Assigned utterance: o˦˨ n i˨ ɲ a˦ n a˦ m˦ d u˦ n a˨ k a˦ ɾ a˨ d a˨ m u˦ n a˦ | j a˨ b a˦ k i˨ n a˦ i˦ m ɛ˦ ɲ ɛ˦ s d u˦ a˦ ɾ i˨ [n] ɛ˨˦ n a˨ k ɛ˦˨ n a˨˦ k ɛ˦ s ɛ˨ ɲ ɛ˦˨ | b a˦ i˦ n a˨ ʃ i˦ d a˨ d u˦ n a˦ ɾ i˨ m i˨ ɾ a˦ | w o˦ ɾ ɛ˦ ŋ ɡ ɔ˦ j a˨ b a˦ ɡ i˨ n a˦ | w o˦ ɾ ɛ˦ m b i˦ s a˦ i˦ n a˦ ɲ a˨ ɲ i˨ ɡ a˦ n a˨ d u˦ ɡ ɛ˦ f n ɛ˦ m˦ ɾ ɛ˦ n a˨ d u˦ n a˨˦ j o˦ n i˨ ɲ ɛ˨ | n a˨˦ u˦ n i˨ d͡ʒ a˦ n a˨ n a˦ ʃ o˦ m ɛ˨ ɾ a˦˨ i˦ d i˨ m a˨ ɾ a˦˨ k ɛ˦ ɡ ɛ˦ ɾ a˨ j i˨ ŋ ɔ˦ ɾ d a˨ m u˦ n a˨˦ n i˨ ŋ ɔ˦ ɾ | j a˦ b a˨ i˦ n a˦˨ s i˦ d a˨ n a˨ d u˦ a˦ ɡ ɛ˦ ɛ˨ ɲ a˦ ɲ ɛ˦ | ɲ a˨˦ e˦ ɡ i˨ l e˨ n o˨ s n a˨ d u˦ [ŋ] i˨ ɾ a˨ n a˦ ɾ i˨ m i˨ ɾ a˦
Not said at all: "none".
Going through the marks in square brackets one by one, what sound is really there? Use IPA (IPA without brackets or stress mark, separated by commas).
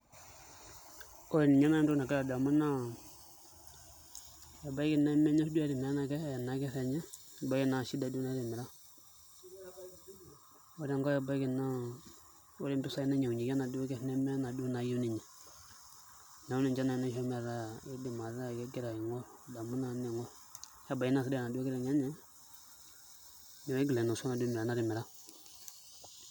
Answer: m, m